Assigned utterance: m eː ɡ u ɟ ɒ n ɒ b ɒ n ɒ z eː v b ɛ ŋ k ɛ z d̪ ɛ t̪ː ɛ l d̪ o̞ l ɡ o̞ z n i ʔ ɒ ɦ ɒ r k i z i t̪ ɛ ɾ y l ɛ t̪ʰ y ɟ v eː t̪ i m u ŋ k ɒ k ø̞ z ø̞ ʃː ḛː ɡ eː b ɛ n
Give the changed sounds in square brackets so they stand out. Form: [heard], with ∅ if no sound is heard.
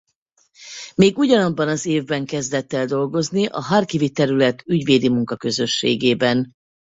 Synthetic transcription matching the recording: m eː ɡ u ɟ ɒ n ɒ [bː] ɒ n ɒ z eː v b ɛ ŋ k ɛ z d̪ ɛ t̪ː ɛ l d̪ o̞ l ɡ o̞ z n i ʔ ɒ ɦ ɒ r k i [v] i t̪ ɛ ɾ y l ɛ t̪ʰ y ɟ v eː [d̪] i m u ŋ k ɒ k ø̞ z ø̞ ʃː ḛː ɡ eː b ɛ n